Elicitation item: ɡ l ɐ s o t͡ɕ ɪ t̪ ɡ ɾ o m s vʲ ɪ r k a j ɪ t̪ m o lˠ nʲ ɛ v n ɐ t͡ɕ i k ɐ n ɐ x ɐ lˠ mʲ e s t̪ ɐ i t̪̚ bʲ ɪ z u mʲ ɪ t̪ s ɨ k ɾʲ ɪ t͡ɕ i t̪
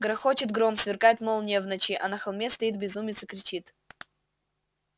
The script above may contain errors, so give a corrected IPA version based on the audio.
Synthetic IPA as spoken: ɡ ɾ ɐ x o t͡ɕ ɪ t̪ ɡ ɾ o m s vʲ ɪ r k a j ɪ t̪ m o lˠ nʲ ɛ v n ɐ t͡ɕ i ʔ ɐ n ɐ x ɐ lˠ mʲ e s t̪ ɐ i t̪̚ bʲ ɪ z u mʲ ɪ t̪ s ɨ k ɾʲ ɪ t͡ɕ i t̪